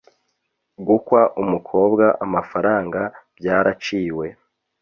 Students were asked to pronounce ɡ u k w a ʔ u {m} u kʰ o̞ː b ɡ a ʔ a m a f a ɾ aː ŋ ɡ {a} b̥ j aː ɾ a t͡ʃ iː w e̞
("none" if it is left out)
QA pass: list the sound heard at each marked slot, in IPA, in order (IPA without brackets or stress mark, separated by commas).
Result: m, a